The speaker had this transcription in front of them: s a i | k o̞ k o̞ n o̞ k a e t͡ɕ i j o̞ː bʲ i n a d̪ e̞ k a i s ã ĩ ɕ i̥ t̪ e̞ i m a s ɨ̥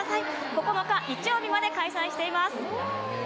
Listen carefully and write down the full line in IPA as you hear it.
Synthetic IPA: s a i | k o̞ k o̞ n o̞ k a i t͡ɕ i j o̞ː bʲ i m a d̪ e̞ k a i s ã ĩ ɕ i̥ t̪ e̞ i m a s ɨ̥